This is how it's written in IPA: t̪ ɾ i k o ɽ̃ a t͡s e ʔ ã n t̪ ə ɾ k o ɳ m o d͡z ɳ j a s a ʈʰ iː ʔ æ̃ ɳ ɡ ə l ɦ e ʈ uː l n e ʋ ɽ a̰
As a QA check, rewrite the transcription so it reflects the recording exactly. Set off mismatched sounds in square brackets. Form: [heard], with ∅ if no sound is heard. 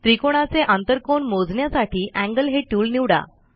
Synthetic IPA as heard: t̪ ɾ i k o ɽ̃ a t͡s e ʔ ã n t̪ ə ɾ k o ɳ m o d͡z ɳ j a s a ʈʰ iː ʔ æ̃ [ŋ] ɡ ə l ɦ e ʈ uː l n [i] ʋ ɽ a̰